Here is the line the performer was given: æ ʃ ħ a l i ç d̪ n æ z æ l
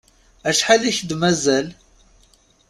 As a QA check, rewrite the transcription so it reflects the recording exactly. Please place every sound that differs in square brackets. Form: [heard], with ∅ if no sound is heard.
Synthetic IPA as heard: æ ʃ ħ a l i ç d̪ [m] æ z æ l